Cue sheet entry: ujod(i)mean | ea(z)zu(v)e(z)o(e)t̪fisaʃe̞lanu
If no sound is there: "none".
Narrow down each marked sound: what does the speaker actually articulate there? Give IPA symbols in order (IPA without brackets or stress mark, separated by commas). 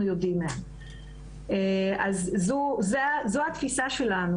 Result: i, z, z, z, a